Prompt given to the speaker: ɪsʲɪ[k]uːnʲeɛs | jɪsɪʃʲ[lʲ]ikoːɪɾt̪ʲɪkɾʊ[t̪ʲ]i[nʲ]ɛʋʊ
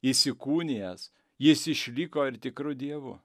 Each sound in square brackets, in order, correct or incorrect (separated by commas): correct, correct, incorrect, incorrect